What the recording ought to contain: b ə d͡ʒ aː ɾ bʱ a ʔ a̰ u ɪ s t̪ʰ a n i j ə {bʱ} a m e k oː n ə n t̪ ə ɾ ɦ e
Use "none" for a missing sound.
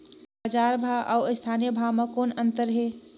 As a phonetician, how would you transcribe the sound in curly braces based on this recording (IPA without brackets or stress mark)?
bʱ